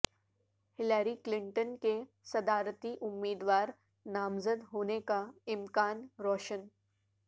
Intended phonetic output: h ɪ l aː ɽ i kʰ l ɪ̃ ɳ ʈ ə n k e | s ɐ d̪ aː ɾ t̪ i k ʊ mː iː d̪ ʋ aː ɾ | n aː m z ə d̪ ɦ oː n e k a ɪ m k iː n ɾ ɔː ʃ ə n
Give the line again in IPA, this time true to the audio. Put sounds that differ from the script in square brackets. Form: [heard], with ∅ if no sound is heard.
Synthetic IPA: h ɪ l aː [ɾ] i [k] l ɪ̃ ɳ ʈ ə n k e | s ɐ d̪ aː ɾ t̪ i [ʔ] ʊ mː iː d̪ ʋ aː ɾ | n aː m z ə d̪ ɦ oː n e k a ɪ m k [aː] n ɾ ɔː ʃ ə n